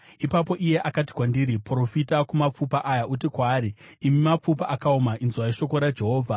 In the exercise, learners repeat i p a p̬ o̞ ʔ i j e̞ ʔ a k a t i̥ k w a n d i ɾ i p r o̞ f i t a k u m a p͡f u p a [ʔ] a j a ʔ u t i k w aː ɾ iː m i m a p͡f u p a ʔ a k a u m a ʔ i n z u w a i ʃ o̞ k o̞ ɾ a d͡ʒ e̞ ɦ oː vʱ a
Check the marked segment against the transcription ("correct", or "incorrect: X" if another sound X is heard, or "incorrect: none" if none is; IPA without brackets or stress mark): correct